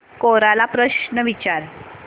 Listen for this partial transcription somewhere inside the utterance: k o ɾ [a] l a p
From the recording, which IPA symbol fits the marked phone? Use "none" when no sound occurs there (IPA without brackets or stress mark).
a